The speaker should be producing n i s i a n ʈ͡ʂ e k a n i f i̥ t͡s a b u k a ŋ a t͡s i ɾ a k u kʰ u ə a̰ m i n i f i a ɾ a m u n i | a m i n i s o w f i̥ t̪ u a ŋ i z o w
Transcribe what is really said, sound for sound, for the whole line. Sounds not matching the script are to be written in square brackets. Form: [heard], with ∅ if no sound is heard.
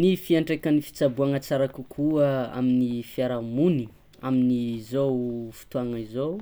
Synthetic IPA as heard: n i [f] i a [ɳ] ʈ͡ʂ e k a n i f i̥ t͡s a b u [∅] a ŋ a t͡s [a] ɾ a k u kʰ u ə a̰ m i n i f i a ɾ a m u n i | a m i n i [z] o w f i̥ t̪ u a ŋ i z o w